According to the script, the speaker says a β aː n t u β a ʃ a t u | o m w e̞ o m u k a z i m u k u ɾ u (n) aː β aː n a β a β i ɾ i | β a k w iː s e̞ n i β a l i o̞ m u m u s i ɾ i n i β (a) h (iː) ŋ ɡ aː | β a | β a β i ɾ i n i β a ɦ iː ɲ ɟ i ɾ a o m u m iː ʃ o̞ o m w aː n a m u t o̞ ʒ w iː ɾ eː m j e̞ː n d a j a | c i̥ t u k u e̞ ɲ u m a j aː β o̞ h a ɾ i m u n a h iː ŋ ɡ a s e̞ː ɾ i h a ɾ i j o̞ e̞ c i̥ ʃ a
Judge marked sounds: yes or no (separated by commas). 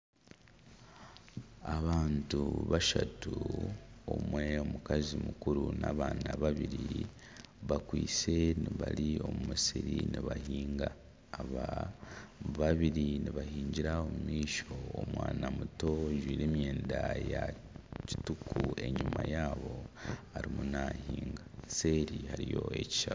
yes, yes, yes